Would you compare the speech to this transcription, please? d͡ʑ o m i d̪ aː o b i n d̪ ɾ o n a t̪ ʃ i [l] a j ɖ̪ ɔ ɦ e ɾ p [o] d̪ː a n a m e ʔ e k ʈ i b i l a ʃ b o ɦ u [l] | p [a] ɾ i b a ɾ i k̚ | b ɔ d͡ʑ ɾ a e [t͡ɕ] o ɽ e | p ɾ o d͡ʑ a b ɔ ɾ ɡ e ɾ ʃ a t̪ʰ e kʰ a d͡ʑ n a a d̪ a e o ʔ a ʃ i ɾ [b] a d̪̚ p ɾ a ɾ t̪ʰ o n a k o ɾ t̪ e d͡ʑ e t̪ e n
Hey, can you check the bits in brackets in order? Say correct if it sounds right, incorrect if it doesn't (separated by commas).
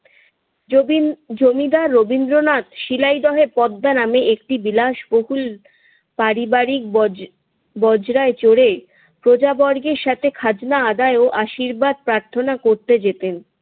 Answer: correct, incorrect, correct, correct, correct, correct